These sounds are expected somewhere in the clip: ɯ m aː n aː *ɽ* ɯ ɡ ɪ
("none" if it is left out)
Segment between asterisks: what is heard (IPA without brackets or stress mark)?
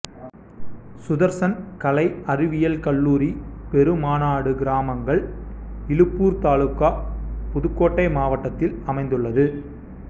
ɽ